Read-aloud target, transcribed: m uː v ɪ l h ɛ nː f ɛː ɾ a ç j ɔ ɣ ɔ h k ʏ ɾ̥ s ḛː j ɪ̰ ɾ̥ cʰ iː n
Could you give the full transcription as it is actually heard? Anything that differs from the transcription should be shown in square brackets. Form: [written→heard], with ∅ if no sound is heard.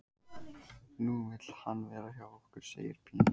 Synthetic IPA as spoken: [m→n] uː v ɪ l h [ɛ→a] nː [f→v] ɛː ɾ a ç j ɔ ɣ ɔ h k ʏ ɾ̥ s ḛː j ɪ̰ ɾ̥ [cʰ→pʰ] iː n